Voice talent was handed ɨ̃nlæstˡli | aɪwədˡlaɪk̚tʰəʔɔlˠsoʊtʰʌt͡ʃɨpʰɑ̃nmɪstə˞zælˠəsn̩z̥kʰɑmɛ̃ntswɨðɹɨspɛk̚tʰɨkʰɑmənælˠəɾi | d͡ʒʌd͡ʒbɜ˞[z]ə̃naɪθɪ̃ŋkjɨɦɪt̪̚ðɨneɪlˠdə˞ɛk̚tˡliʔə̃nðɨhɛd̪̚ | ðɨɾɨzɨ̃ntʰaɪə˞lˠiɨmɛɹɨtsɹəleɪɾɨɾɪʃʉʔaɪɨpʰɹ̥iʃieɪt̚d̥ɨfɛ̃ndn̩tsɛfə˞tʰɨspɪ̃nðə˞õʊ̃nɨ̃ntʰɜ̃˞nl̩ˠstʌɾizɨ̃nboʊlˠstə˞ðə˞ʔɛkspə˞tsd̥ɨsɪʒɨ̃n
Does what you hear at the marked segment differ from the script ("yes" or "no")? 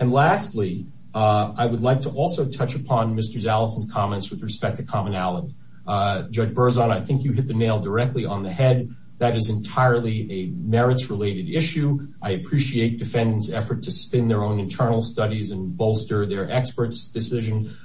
no